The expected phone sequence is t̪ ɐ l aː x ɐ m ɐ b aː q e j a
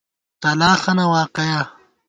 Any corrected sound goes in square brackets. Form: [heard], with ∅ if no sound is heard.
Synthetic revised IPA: t̪ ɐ l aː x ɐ [n] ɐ [w] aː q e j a

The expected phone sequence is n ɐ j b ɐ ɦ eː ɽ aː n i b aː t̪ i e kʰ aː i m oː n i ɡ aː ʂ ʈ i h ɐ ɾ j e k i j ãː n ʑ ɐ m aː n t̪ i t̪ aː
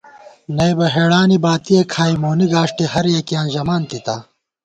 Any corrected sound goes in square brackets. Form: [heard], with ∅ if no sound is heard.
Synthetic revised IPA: n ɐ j b ɐ ɦ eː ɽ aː n i b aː t̪ i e kʰ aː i m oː n i ɡ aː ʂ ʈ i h ɐ ɾ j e k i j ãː n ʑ ɐ m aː n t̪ i t̪ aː

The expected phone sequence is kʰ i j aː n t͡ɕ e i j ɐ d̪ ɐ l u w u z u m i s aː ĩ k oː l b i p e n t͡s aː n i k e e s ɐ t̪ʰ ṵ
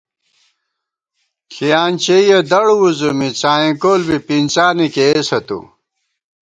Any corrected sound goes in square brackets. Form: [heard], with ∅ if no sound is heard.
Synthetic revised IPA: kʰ i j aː n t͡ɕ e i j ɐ d̪ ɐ [ɽ] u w u z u m i [t͡s] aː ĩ k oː l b i p [i] n t͡s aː n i k e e s ɐ [t̪] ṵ

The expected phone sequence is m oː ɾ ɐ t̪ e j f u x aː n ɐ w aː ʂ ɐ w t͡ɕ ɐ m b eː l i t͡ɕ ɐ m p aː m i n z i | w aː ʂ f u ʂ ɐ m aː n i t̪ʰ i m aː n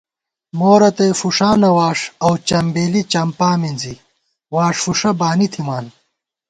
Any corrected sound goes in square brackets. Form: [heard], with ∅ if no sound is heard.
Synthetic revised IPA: m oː ɾ ɐ t̪ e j f u [ʂ] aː n ɐ w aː ʂ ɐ w t͡ɕ ɐ m b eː l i t͡ɕ ɐ m p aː m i n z i | w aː ʂ f u ʂ ɐ [b] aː n i t̪ʰ i m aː n

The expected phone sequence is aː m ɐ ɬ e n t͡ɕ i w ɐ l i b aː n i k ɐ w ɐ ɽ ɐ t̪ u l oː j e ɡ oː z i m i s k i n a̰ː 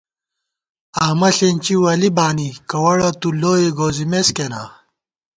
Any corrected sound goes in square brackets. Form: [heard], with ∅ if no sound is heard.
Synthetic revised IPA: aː m ɐ ɬ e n t͡ɕ i w ɐ l i b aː n i k ɐ w ɐ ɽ ɐ t̪ u l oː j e ɡ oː z i m [e] s k [e] n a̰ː

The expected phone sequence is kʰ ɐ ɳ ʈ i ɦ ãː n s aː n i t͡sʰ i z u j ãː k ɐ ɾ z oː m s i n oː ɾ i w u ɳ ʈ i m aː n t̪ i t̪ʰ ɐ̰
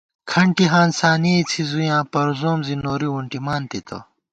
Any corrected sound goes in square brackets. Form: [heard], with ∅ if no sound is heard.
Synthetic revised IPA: kʰ ɐ ɳ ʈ i ɦ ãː n s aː n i t͡sʰ i z u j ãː [p] ɐ ɾ z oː m [z] i n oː ɾ i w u ɳ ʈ i m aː n t̪ i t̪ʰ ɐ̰

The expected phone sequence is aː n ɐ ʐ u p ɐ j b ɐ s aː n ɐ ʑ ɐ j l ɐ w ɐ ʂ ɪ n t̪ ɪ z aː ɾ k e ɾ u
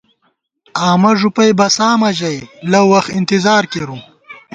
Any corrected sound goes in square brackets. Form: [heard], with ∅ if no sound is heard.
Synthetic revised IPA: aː [m] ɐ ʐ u p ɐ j b ɐ s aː [m] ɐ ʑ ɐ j l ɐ w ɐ [x] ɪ n t̪ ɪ z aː ɾ k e ɾ u

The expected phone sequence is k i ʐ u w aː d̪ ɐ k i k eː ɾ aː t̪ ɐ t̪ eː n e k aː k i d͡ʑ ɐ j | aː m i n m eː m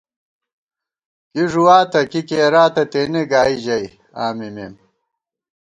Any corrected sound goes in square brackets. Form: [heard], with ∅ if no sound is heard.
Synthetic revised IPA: k i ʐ u w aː [t̪] ɐ k i k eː ɾ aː t̪ ɐ t̪ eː n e [ɡ] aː [∅] i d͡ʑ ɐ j | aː m i [∅] m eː m

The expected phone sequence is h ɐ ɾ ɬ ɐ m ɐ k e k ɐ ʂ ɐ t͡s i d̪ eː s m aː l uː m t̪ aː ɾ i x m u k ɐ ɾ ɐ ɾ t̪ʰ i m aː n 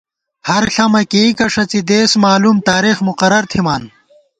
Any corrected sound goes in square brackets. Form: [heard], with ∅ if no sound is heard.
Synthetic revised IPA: h ɐ ɾ ɬ ɐ m ɐ k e k ɐ ʂ ɐ t͡s i d̪ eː s m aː l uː m t̪ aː ɾ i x m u [q] ɐ ɾ ɐ ɾ t̪ʰ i m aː n

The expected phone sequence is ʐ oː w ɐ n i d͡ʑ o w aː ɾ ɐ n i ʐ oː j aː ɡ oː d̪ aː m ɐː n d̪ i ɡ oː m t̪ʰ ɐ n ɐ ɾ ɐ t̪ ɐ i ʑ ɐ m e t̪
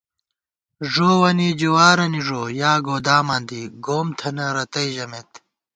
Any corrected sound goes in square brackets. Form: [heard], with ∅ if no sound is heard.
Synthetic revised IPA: ʐ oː w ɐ n i d͡ʑ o w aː ɾ ɐ n i ʐ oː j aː ɡ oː d̪ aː m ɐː n d̪ i ɡ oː m t̪ʰ ɐ n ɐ ɾ ɐ t̪ ɐ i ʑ ɐ m e t̪

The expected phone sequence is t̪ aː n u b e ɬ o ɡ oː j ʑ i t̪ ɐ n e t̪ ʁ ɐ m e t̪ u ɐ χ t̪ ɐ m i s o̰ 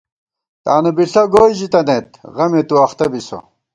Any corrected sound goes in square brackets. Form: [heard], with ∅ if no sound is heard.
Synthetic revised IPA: t̪ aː n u b [i] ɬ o ɡ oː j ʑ i t̪ ɐ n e t̪ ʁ ɐ m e t̪ u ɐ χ t̪ ɐ [b] i s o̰

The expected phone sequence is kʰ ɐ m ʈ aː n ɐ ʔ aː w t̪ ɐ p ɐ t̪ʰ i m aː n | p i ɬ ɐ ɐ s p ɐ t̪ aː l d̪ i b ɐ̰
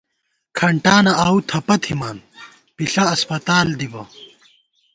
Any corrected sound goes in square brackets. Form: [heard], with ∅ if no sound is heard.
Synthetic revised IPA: kʰ ɐ [ɳ] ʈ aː n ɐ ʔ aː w [t̪ʰ] ɐ p ɐ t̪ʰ i m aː n | p i ɬ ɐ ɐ s p ɐ t̪ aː l d̪ i b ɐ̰

